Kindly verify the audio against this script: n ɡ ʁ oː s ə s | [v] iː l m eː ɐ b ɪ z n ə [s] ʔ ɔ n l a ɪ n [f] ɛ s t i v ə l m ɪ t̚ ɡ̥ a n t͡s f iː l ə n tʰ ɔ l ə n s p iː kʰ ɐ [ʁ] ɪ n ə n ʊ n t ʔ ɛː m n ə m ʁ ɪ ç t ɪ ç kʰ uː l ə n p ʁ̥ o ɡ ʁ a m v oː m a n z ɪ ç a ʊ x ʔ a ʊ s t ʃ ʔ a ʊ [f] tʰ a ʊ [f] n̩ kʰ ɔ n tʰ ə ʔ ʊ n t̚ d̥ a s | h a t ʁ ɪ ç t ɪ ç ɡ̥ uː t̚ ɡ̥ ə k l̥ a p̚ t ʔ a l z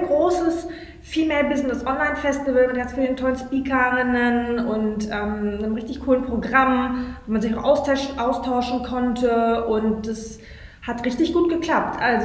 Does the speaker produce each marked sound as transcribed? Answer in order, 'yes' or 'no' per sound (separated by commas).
no, yes, yes, yes, no, no